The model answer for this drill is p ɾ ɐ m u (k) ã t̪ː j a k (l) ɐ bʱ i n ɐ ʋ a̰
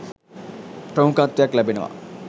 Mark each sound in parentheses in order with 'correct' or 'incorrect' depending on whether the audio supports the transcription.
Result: correct, correct

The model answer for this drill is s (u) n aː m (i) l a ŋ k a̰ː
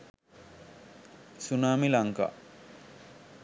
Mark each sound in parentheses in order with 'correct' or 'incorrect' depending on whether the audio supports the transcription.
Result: correct, correct

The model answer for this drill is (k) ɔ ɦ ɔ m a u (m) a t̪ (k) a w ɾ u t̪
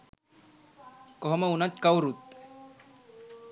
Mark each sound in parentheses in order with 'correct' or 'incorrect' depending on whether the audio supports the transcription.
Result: correct, incorrect: n, correct

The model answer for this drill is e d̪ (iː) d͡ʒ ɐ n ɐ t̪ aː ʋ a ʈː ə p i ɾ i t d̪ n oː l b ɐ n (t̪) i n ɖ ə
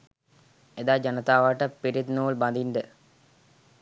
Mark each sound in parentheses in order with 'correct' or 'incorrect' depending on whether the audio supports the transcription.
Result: incorrect: aː, incorrect: d̪

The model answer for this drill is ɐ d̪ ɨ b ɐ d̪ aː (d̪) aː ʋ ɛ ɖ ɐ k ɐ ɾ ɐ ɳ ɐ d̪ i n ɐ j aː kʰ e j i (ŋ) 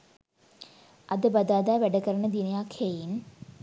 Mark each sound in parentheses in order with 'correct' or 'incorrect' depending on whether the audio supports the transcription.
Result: correct, incorrect: n

